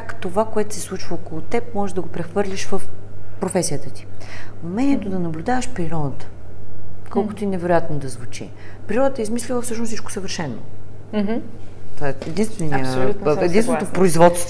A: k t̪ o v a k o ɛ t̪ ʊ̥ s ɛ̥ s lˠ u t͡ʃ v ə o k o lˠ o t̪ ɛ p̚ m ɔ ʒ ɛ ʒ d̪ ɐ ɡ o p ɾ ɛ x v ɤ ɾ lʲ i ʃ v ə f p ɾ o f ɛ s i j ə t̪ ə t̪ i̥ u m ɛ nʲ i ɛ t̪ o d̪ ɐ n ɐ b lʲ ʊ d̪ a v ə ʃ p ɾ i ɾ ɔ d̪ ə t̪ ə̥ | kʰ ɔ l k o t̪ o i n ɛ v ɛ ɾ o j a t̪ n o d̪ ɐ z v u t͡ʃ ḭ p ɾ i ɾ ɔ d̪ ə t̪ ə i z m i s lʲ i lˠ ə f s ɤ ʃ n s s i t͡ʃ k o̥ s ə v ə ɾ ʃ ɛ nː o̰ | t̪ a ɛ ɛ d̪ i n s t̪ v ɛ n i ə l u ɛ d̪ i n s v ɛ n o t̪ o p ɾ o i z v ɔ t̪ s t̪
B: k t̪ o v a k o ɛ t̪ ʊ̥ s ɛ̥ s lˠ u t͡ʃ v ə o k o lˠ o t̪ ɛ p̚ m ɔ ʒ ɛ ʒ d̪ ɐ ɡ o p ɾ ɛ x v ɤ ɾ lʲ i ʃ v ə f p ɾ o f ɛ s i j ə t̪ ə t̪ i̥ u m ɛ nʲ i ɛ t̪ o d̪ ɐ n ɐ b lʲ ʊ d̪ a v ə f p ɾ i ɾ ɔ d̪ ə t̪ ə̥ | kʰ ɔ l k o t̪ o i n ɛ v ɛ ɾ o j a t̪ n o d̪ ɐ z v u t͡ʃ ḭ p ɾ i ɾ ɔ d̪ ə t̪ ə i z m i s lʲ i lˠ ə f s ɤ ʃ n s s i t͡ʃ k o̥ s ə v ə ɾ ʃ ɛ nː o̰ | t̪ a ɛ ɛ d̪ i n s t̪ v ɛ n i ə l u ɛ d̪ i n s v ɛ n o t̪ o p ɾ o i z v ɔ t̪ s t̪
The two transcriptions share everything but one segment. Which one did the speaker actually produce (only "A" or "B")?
A